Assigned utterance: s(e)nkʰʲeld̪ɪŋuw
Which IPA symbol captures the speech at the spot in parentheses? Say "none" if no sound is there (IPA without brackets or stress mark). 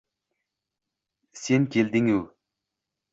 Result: e